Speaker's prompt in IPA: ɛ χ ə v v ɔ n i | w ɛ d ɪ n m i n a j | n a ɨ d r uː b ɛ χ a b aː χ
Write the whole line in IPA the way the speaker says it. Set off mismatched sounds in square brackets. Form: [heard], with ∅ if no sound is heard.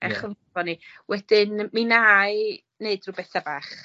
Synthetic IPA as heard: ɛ χ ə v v ɔ n i | w ɛ d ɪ n m i n a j | n [e] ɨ d r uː b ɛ [θ] a b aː χ